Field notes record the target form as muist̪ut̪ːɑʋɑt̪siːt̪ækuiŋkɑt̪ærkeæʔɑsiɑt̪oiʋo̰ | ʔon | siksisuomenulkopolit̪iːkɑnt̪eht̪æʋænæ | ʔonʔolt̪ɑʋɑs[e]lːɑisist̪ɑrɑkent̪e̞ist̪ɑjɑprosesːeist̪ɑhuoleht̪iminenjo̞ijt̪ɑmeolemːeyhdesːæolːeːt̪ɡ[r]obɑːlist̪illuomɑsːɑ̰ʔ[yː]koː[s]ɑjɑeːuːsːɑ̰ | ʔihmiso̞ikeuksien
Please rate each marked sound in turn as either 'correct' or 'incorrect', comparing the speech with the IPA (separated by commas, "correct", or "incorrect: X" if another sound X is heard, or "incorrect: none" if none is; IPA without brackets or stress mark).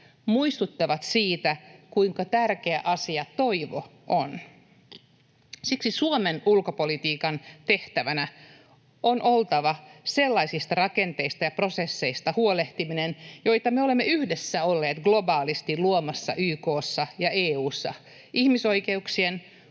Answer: correct, incorrect: l, correct, incorrect: sː